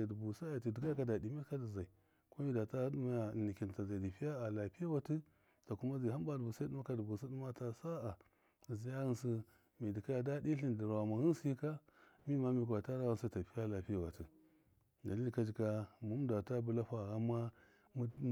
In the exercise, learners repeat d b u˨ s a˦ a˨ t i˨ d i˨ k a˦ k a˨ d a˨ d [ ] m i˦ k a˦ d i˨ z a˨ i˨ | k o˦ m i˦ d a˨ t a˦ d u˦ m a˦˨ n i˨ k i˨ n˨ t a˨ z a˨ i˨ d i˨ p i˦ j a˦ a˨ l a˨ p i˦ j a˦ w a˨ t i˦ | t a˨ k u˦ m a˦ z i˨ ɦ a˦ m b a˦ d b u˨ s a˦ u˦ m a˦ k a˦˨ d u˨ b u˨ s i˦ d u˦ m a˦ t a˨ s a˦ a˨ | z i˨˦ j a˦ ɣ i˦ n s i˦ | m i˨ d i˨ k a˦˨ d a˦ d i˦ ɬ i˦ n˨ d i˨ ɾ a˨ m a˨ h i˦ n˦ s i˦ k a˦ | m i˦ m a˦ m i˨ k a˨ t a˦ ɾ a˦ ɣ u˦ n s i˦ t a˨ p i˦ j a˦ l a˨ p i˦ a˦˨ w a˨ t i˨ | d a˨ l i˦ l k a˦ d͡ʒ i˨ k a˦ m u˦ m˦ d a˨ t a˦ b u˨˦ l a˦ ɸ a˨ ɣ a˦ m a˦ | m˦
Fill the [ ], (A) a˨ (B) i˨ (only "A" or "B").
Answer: B